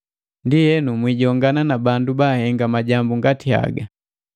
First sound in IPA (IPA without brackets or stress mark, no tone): n